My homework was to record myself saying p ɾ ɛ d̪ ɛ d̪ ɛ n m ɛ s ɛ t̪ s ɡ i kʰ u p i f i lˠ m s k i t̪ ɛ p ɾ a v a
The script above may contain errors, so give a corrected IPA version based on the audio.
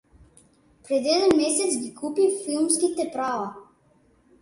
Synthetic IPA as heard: p ɾ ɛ d̪ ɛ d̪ ɛ n m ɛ s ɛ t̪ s ɡ i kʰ u p i f i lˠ m s k i t̪ ɛ p ɾ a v a